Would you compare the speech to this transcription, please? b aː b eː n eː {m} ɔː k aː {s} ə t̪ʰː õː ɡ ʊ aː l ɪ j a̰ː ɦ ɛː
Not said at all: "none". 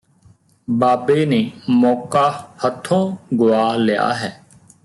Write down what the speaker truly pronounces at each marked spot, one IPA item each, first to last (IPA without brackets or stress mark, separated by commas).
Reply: m, h